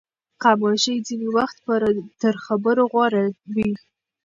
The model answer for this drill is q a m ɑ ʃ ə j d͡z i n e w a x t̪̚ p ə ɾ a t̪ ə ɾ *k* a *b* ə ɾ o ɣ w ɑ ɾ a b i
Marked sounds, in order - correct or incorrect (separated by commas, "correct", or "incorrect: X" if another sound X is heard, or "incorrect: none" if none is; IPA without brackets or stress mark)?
incorrect: x, correct